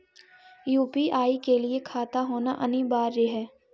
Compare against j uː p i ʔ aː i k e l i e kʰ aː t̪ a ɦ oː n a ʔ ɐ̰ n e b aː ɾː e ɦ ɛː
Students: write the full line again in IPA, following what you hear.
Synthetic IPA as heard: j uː p i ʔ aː i k e l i e kʰ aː t̪ a ɦ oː n a ʔ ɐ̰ n i b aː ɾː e ɦ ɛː